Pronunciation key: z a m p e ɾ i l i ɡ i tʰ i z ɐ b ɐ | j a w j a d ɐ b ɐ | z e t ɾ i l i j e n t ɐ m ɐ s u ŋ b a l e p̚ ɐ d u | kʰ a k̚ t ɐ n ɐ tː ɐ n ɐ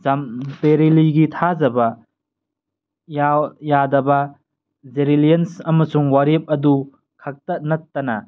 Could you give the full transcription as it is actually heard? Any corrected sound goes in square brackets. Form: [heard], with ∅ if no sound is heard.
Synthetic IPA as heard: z a m p e ɾ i l i ɡ i tʰ [a] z ɐ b ɐ | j a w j a d ɐ b ɐ | z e [∅] ɾ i l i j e n [s] ɐ m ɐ s u ŋ [w] a [ɾ] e p̚ ɐ d u | kʰ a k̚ t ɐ n ɐ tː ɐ n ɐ